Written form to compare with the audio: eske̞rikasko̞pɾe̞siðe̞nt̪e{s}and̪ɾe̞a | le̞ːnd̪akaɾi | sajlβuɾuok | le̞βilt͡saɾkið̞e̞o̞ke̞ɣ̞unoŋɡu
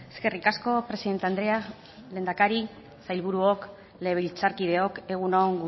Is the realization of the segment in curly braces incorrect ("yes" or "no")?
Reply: yes